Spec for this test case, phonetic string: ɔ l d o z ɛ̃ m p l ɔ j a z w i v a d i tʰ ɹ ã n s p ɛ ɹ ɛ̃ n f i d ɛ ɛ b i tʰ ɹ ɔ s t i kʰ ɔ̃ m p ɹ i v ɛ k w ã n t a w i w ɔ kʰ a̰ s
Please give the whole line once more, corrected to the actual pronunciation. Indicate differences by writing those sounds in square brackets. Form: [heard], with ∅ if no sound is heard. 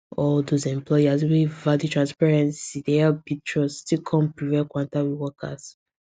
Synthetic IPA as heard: ɔ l d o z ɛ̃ m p l ɔ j a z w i v a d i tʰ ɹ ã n s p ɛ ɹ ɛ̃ n [s] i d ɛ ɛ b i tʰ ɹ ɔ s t i kʰ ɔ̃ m p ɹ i v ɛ k w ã n t a w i w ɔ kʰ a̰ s